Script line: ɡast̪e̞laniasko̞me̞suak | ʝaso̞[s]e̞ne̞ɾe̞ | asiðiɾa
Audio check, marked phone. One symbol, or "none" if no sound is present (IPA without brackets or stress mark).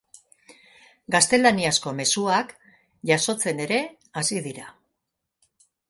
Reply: t͡s